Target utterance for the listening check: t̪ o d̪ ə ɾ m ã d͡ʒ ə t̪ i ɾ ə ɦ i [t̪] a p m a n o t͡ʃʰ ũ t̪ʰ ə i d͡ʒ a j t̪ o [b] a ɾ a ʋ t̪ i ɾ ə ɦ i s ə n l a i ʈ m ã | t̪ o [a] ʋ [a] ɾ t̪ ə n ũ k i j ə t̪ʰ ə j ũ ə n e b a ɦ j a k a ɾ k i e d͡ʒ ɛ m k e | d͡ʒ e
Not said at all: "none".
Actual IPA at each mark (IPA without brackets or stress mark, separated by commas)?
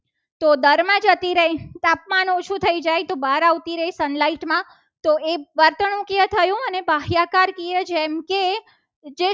t̪, b, e, ə